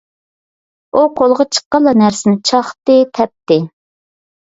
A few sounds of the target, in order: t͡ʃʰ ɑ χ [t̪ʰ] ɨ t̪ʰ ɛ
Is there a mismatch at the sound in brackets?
yes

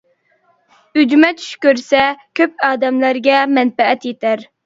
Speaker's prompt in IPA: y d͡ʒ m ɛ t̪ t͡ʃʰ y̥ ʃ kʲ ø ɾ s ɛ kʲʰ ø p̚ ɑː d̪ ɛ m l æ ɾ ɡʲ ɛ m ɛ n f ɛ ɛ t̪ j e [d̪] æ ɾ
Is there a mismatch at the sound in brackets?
yes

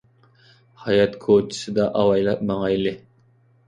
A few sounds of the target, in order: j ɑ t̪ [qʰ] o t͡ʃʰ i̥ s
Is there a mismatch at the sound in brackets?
yes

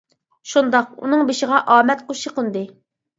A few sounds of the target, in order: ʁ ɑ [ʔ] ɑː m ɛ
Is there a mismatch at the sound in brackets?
no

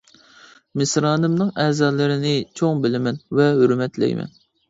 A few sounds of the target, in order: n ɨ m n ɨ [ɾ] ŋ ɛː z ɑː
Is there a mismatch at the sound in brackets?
yes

